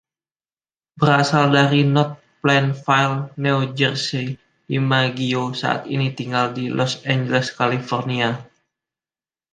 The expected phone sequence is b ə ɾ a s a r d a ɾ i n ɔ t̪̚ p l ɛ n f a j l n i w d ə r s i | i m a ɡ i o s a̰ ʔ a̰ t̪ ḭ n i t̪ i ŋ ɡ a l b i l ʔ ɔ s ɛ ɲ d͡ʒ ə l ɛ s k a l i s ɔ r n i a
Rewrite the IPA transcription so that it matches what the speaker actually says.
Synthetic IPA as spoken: b ə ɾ a s a l d a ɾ i n ɔ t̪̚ p l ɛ n f a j l n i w d͡ʒ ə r s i | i m a ɡ i o s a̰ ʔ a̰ t̪ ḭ n i t̪ i ŋ ɡ a l d i l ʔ ɔ s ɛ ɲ d͡ʒ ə l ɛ s k a l i f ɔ r n i a